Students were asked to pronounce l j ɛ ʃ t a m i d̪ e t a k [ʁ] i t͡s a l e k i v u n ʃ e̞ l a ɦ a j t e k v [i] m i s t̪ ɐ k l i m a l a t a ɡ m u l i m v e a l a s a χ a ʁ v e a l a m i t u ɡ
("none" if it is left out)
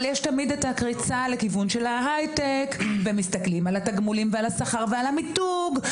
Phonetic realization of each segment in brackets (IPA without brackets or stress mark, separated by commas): ʁ, e